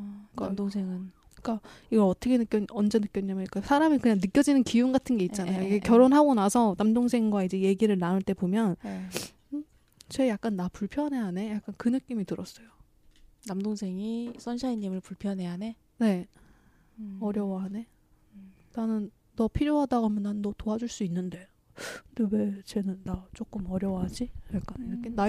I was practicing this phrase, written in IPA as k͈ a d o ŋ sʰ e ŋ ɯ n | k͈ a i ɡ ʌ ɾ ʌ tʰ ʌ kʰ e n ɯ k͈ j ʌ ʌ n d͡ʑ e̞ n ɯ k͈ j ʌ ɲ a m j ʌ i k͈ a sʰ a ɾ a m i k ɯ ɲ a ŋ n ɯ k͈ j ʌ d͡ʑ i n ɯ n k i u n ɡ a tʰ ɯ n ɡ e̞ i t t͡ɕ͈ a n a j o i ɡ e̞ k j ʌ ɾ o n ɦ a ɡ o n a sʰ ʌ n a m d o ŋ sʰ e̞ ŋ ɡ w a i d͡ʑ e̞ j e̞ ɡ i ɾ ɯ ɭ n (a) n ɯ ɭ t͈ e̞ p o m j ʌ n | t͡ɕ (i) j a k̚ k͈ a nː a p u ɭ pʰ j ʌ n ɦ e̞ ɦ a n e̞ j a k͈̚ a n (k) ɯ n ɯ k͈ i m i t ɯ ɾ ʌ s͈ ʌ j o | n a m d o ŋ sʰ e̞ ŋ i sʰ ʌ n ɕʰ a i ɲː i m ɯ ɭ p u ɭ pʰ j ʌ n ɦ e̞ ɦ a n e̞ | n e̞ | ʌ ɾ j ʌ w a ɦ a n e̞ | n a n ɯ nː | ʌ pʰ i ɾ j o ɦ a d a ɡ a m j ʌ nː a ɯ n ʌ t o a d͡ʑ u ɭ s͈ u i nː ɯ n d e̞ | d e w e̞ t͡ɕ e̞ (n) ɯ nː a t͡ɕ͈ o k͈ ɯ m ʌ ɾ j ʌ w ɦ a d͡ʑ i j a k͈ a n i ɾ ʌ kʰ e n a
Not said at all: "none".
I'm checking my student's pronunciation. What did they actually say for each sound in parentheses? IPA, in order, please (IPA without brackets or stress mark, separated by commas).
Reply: a, e, k, n